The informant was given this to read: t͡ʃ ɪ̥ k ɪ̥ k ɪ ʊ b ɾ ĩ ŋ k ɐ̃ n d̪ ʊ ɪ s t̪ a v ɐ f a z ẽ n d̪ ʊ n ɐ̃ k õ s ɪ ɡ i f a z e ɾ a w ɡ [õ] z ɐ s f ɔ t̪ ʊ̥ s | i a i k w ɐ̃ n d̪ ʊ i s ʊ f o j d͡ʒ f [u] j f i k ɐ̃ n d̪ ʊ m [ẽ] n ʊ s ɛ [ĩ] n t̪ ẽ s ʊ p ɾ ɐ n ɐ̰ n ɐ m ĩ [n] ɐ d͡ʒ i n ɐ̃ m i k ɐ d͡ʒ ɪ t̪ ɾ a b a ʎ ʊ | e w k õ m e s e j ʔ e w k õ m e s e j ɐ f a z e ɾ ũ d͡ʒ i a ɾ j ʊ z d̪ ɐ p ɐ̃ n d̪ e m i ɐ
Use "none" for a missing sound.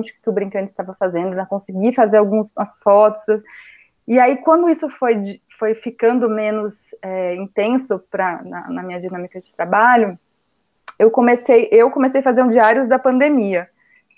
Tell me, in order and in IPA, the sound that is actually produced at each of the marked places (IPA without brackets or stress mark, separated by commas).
ũ, o, ẽ, ĩ, ɲ